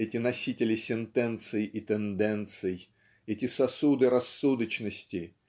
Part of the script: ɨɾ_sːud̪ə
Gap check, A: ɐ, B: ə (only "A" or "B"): A